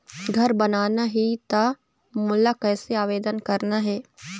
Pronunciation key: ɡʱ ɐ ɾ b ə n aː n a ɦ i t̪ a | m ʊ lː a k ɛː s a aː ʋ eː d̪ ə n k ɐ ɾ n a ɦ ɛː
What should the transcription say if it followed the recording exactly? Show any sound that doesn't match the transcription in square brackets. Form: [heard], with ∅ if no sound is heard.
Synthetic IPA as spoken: ɡʱ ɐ ɾ b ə n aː n a ɦ i t̪ a | m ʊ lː a k ɛː s [e] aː ʋ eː d̪ ə n k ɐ ɾ n a ɦ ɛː